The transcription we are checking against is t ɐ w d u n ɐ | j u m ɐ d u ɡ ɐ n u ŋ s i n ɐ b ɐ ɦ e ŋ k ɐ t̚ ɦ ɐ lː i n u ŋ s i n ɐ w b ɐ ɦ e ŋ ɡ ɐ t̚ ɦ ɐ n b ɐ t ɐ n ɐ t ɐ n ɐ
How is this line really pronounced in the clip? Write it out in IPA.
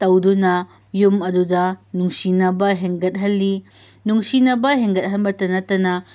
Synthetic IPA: t ɐ w d u n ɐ | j u m ɐ d u d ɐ n u ŋ s i n ɐ b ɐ ɦ e ŋ ɡ ɐ t̚ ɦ ɐ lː i n u ŋ s i n ɐ b ɐ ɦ e ŋ ɡ ɐ t̚ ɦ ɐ n b ɐ t ɐ n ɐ t ɐ n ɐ